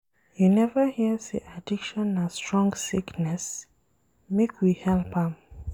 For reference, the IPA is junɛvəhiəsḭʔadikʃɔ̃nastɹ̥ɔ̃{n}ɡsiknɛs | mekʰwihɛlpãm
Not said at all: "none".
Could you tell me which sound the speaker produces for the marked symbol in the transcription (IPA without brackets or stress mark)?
ŋ